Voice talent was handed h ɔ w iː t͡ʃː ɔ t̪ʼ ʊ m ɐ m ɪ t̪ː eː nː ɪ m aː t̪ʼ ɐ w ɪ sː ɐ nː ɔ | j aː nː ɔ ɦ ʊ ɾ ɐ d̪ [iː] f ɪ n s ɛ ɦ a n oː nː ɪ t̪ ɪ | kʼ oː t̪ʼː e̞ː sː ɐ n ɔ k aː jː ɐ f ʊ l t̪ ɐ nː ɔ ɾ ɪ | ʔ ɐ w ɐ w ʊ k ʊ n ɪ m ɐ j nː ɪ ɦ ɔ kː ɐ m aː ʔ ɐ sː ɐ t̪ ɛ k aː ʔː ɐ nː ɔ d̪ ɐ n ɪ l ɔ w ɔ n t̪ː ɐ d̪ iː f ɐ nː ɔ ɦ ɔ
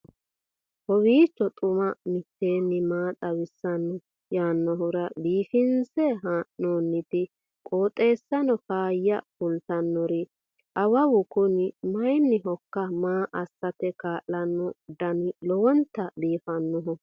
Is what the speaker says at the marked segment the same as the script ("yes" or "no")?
yes